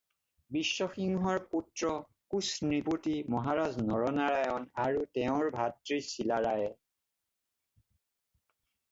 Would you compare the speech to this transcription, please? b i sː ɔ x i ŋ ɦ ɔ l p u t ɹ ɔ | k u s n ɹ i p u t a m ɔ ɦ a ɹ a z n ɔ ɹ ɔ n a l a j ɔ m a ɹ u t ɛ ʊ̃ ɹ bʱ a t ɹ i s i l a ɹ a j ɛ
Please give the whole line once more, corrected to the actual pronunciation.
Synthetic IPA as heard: b i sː ɔ x i ŋ ɦ ɔ ɹ p u t ɹ ɔ | k u s n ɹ i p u t i m ɔ ɦ a ɹ a z n ɔ ɹ ɔ n a ɹ a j ɔ n a ɹ u t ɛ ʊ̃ ɹ bʱ a t ɹ i s i l a ɹ a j ɛ